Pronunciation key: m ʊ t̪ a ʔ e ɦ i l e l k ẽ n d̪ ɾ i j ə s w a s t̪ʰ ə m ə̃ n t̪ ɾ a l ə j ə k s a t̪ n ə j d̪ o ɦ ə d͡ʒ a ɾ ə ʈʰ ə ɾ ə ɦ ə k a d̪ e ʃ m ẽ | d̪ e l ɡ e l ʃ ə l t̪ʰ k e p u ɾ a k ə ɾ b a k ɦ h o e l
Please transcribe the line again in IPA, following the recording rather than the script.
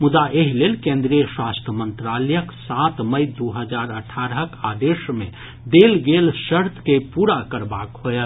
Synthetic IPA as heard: m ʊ d̪ a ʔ e ɦ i l e l k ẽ n d̪ ɾ i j ə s w a s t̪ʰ ə m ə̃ n t̪ ɾ a l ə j ə k s a t̪ m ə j d̪ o ɦ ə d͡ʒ a ɾ ə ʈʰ a ɾ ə ɦ ə k a d̪ e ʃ m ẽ | d̪ e l ɡ e l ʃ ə ɾ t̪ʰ k e p u ɾ a k ə ɾ b a k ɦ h o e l